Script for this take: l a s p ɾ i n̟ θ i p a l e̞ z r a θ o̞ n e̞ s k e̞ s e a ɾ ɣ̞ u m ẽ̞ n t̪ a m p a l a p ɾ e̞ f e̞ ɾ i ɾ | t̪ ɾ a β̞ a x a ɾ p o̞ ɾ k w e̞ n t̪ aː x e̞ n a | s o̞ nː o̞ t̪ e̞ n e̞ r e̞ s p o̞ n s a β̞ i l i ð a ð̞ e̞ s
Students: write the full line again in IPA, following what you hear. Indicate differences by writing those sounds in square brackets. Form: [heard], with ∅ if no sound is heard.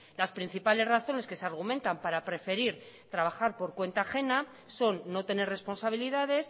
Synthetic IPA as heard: l a s p ɾ i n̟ θ i p a l e̞ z r a θ o̞ n e̞ s k e̞ s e a ɾ ɣ̞ u m ẽ̞ n t̪ a m p a [ɾ] a p ɾ e̞ f e̞ ɾ i ɾ | t̪ ɾ a β̞ a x a ɾ p o̞ ɾ k w e̞ n t̪ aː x e̞ n a | s o̞ nː o̞ t̪ e̞ n e̞ r e̞ s p o̞ n s a β̞ i l i ð a ð̞ e̞ s